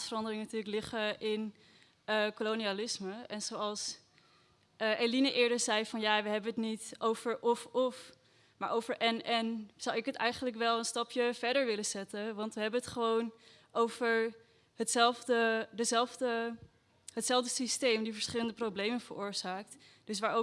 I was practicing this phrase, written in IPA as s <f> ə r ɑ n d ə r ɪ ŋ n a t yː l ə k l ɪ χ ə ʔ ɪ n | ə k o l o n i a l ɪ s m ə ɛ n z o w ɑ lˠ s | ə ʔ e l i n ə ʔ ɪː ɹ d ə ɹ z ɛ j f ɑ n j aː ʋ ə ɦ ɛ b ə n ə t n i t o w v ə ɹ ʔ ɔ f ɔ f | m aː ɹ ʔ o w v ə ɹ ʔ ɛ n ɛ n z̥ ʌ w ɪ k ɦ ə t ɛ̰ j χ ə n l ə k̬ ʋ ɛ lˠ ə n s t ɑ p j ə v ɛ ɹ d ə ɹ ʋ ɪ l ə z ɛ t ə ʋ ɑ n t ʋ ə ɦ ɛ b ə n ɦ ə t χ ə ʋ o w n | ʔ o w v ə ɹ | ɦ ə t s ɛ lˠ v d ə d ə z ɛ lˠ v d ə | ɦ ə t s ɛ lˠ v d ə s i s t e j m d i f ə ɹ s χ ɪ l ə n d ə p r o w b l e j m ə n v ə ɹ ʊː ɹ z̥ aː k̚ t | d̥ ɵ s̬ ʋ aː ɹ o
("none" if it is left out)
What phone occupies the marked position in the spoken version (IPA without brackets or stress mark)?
f